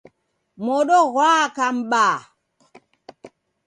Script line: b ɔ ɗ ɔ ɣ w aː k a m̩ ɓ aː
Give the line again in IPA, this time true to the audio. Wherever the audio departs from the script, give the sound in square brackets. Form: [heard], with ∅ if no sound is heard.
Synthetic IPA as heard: [m] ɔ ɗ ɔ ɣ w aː k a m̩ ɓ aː